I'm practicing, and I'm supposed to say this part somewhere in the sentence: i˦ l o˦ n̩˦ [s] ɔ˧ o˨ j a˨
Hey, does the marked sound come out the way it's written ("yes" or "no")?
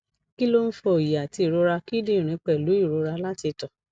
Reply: no